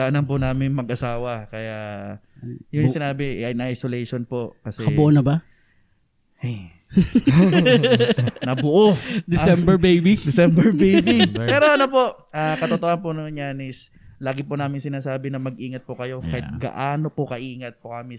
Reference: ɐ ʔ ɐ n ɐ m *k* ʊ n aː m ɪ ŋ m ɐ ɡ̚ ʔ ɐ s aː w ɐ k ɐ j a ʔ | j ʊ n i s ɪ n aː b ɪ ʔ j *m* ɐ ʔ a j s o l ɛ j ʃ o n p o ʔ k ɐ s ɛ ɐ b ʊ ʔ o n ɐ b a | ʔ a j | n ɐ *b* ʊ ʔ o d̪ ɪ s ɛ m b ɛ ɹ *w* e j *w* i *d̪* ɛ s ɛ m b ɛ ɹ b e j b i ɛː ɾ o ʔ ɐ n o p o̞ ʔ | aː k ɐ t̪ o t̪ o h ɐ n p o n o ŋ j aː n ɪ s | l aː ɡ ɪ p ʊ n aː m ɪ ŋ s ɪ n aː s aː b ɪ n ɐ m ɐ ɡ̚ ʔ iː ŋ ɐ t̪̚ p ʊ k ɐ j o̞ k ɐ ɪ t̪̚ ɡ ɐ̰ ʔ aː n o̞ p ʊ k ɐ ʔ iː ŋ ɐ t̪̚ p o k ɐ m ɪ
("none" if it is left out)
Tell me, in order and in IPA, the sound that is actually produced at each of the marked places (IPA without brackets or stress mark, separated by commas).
p, n, b, b, b, d̪